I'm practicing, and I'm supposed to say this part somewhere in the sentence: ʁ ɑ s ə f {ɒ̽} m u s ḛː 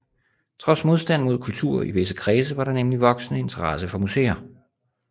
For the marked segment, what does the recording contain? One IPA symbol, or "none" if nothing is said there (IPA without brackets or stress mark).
ɒ̽